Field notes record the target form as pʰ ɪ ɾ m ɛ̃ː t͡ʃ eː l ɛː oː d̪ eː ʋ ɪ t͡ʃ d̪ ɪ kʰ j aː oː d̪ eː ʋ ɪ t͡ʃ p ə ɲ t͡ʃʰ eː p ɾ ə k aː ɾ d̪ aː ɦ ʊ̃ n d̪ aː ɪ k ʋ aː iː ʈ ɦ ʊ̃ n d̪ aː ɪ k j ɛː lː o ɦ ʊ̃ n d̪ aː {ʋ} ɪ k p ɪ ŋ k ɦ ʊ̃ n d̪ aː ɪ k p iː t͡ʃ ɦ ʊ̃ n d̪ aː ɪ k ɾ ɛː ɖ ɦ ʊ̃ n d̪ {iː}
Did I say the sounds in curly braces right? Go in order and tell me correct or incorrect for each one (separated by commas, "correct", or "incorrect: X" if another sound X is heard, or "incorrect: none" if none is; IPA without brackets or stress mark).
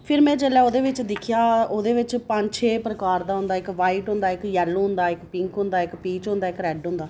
incorrect: none, incorrect: aː